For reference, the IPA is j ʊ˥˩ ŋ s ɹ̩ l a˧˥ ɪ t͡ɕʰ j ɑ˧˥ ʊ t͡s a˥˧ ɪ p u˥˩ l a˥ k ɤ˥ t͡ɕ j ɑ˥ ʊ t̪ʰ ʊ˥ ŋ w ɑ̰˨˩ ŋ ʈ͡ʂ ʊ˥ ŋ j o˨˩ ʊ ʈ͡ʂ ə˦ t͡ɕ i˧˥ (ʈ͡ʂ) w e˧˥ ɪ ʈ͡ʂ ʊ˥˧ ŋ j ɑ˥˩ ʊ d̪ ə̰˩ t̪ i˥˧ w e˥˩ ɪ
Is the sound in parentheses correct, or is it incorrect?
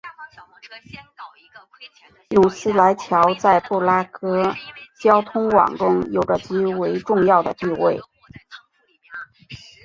incorrect: none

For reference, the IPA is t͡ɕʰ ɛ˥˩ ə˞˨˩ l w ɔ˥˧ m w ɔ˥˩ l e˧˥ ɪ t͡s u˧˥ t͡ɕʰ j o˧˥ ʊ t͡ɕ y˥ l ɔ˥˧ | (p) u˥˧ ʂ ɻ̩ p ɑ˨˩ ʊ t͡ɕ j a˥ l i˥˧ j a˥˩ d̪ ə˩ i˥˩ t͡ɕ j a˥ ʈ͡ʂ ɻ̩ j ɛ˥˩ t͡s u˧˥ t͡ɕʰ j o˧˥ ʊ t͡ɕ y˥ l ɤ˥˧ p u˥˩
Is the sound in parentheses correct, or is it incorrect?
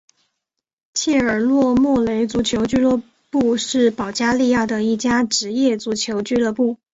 correct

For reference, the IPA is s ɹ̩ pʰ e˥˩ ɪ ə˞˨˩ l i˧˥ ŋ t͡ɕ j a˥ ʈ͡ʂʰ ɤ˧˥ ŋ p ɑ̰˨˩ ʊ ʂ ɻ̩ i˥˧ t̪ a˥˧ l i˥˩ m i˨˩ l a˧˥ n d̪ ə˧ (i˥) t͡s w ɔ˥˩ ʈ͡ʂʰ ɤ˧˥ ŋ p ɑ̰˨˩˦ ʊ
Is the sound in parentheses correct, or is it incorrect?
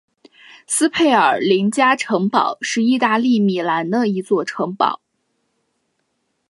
incorrect: i˧˥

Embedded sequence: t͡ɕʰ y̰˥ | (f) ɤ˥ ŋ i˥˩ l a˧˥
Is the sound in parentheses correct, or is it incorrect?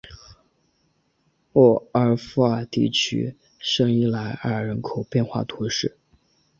incorrect: ʂ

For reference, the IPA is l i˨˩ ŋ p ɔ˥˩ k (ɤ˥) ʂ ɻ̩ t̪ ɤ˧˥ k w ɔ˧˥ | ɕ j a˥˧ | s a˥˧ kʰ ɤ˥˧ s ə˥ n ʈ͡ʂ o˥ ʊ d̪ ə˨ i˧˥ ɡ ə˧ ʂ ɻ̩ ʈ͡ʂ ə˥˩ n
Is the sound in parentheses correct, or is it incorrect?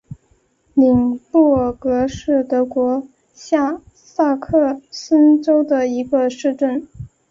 incorrect: ɤ˧˥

